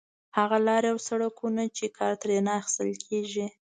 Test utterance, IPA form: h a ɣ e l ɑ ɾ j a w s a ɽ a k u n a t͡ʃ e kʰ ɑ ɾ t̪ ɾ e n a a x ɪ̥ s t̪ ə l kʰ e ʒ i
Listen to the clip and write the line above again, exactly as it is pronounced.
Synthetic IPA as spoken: h a ɣ a l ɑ ɾ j a w s a ɽ a k u n a t͡ʃ e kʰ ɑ ɾ t̪ ɾ e n a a x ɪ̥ s t̪ ə l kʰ e ʒ i